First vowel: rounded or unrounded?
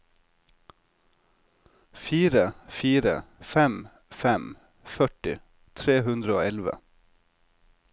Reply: unrounded